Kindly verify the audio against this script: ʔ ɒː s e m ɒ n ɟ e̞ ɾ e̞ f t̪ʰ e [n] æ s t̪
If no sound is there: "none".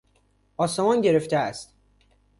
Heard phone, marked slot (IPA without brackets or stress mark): none